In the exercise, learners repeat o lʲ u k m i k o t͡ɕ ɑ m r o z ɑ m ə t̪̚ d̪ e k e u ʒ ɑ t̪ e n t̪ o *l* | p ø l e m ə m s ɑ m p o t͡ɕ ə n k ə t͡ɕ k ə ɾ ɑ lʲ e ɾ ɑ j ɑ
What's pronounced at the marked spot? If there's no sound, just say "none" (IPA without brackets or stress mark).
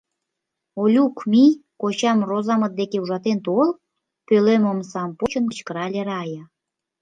l